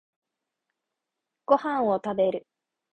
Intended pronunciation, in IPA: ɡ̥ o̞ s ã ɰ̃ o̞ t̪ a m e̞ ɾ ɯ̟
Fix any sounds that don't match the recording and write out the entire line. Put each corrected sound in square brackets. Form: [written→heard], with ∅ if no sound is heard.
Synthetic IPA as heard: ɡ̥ o̞ [s→h] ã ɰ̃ o̞ t̪ a [m→b] e̞ ɾ ɯ̟

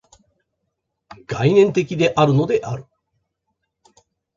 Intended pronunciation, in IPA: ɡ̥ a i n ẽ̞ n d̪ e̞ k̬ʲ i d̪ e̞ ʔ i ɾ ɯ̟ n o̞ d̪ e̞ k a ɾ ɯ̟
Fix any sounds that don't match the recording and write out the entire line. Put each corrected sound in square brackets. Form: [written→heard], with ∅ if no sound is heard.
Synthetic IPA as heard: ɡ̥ a i n ẽ̞ n [d̪→t̪] e̞ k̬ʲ i d̪ e̞ ʔ [i→a] ɾ ɯ̟ n o̞ d̪ e̞ [k→ʔ] a ɾ ɯ̟

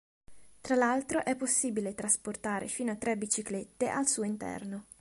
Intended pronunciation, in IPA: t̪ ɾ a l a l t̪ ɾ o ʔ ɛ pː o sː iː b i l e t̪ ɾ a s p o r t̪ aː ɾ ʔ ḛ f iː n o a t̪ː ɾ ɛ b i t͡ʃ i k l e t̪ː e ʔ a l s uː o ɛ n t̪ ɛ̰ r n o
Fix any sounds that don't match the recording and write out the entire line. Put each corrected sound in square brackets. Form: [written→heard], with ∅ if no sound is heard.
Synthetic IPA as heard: t̪ ɾ a l a l t̪ ɾ o ʔ ɛ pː o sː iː b i l e t̪ ɾ a s p o r t̪ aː ɾ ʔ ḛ f iː n o a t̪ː ɾ ɛ b i t͡ʃ i k l e t̪ː e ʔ a l s uː o [ɛ→i] n t̪ ɛ̰ r n o

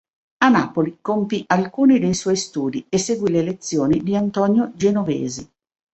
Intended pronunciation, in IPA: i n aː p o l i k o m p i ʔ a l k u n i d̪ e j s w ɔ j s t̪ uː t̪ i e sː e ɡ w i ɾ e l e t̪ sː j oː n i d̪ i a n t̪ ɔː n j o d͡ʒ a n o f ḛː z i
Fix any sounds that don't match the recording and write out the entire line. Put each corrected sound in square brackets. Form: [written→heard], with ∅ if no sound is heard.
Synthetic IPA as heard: [i→a] n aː p o l i k o m p i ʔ a l k [u→uː] n i d̪ e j s w ɔ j s t̪ uː [t̪→d̪] i e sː e ɡ w i [ɾ→l] e l e t̪ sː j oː n i d̪ i a n t̪ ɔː n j o d͡ʒ [a→e] n o [f→v] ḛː z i

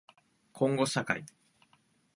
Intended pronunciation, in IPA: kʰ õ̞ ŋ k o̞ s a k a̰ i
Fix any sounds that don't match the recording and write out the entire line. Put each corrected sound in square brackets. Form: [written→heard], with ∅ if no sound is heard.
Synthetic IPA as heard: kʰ õ̞ ŋ [k→ɡ] o̞ s a k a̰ i

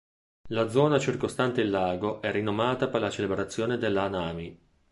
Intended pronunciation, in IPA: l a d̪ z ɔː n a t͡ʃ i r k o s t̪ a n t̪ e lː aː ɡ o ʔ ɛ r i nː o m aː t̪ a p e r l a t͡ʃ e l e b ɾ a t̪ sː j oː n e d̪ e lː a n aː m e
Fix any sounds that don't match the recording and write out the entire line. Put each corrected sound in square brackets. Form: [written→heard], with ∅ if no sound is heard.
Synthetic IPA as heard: l a d̪ z ɔː n a t͡ʃ i r k o s t̪ a n t̪ e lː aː ɡ o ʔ ɛ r i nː o m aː t̪ a p e r l a t͡ʃ e l e b ɾ a t̪ sː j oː n e d̪ e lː a n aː m [e→i]

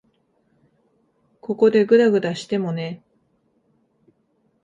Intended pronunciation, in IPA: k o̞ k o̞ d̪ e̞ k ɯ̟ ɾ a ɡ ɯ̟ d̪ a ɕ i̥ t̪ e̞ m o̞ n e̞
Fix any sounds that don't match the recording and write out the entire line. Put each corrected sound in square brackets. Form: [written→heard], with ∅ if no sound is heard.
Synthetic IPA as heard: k o̞ k o̞ d̪ e̞ [k→ɡ] ɯ̟ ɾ a ɡ ɯ̟ d̪ a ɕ i̥ t̪ e̞ m o̞ n e̞

